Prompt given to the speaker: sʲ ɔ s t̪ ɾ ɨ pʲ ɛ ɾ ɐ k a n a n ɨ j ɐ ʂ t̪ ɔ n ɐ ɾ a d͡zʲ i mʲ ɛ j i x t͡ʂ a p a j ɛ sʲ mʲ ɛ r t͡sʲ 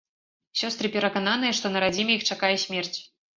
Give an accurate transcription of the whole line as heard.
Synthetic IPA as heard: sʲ ɔ s t̪ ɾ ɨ pʲ ɛ ɾ ɐ k a n a n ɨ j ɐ ʂ t̪ ɔ n ɐ ɾ a d͡zʲ i mʲ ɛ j i x t͡ʂ a k a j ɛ sʲ mʲ ɛ r t͡sʲ